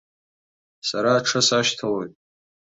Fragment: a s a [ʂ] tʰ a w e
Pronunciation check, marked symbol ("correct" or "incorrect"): incorrect